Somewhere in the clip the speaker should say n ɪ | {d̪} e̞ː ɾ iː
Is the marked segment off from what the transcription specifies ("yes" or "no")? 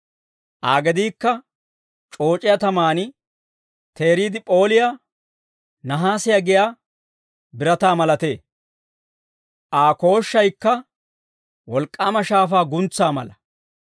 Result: yes